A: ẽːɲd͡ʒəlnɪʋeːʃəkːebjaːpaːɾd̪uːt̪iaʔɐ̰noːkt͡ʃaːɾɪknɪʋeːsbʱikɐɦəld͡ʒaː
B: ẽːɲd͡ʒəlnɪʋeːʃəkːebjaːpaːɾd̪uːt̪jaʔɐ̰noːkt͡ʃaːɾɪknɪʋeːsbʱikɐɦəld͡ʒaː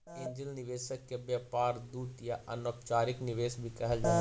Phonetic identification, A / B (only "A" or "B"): B